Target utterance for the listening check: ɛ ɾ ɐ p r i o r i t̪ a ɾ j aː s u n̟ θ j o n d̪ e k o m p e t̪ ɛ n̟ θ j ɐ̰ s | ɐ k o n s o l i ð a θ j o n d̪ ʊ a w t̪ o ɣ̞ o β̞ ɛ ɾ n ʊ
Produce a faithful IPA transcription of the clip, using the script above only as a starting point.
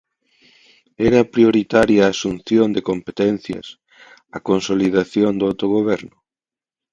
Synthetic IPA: ɛ ɾ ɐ p ɾ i o ɾ i t̪ a ɾ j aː s u n̟ θ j o n d̪ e k o m p e t̪ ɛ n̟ θ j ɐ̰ s | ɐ k o n s o l i ð a θ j o n d̪ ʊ a w t̪ o ɣ̞ o β̞ ɛ ɾ n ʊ